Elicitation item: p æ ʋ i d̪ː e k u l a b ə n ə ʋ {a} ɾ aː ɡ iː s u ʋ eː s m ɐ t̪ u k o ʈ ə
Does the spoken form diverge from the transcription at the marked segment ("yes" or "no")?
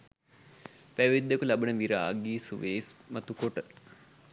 yes